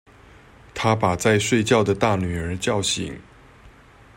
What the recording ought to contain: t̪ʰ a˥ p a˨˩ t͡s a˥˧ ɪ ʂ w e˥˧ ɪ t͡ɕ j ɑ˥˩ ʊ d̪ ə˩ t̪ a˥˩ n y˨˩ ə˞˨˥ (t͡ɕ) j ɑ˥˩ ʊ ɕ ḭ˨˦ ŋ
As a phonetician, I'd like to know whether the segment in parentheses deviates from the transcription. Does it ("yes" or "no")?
no